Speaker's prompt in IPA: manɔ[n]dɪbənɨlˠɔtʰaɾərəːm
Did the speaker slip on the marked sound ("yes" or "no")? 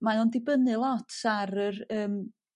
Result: no